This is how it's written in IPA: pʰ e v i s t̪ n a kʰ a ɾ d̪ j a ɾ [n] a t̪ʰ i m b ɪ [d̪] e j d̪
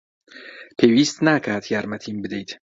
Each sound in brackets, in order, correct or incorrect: incorrect: m, correct

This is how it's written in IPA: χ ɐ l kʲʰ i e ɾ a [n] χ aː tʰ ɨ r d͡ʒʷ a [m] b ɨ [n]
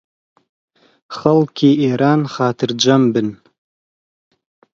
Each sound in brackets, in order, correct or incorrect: correct, correct, correct

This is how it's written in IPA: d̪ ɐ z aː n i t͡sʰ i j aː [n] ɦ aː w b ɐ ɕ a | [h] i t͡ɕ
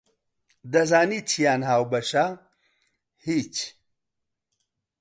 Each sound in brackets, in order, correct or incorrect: correct, correct

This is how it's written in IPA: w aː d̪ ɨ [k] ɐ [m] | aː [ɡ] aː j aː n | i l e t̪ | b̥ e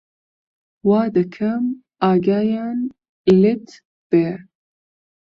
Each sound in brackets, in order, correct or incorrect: incorrect: kʰ, correct, correct

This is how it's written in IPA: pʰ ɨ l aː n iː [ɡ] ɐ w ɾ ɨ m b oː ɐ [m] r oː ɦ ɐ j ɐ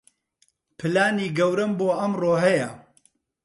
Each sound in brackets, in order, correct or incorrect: correct, correct

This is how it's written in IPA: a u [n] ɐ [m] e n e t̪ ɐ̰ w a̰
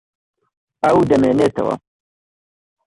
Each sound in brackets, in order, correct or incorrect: incorrect: d, correct

